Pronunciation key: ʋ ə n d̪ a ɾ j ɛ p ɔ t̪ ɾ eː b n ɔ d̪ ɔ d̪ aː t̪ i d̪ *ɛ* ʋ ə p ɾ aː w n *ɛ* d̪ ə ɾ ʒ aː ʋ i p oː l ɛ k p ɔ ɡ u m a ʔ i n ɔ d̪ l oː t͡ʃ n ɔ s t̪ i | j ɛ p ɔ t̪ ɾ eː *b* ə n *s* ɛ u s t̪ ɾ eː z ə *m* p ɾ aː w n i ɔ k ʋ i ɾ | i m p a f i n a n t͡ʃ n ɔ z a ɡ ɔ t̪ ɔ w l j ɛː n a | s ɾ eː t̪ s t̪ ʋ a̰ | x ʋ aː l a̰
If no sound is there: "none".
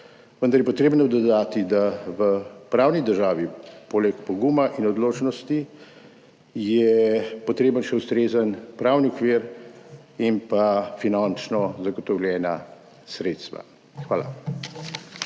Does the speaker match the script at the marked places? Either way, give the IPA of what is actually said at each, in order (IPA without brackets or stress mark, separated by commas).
a, i, b, ʃ, n